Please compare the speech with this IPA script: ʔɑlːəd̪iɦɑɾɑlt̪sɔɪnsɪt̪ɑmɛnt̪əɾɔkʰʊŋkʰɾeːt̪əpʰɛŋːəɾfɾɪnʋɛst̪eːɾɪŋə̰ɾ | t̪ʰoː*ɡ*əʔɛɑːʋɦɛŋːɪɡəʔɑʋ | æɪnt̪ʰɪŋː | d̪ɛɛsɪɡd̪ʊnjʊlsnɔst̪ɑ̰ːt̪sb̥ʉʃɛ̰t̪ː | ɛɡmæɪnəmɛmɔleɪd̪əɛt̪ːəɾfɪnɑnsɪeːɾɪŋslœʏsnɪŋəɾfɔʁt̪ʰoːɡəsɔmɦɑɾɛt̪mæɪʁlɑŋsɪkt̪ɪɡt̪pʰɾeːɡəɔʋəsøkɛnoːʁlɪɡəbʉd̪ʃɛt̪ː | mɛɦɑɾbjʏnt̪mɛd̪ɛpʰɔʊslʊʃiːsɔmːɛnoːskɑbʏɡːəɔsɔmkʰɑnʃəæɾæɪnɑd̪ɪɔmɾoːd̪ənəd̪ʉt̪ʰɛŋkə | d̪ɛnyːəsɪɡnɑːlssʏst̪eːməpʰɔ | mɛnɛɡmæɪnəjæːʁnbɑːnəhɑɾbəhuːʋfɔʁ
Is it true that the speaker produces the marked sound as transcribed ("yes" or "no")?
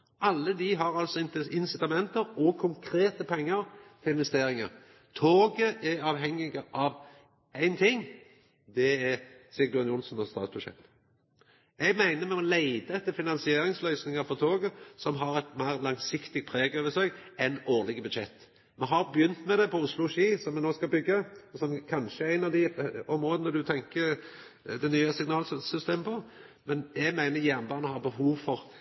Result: yes